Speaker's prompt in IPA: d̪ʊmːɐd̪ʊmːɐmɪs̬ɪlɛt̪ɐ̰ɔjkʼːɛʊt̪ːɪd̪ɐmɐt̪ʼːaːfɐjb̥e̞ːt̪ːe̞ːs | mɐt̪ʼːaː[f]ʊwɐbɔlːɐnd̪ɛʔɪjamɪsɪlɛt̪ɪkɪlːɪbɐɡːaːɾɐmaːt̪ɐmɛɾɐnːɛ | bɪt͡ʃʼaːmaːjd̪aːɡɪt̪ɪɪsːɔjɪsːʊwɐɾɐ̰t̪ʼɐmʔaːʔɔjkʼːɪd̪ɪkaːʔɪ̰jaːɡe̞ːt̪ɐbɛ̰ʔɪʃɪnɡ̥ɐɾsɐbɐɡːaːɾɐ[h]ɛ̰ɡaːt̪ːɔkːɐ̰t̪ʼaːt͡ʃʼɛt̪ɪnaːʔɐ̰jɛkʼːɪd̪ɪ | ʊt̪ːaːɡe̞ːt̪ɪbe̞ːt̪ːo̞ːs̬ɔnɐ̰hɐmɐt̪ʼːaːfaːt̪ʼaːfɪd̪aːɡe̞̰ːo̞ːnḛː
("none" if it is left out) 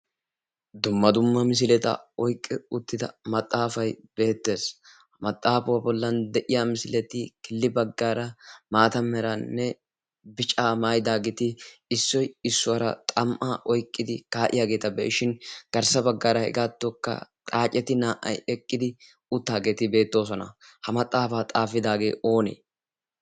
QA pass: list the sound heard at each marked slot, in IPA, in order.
f, h

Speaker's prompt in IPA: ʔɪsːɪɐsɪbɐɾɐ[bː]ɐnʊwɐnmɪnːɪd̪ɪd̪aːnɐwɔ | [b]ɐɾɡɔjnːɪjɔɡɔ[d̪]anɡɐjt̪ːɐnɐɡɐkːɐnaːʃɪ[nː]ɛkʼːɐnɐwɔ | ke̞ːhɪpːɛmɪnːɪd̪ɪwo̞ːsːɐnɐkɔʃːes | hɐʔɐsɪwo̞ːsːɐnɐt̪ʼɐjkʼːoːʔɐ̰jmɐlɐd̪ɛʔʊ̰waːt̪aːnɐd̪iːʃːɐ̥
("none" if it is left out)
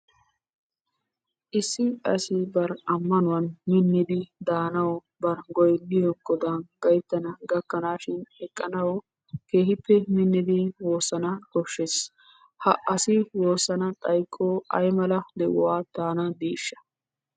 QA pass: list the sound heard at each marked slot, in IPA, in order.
mː, b, d̪, n

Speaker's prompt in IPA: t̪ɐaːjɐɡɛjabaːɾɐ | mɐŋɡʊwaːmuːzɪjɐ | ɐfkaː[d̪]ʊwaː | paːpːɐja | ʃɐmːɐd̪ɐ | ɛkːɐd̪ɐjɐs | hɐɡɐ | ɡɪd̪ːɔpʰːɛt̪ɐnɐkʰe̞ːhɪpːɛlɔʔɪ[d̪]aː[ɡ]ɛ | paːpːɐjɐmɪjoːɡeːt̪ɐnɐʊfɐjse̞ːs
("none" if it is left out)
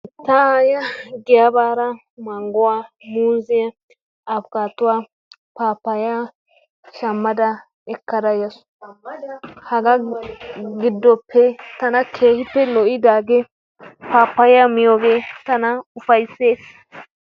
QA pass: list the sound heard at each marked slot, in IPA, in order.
t̪, d̪, ɡ

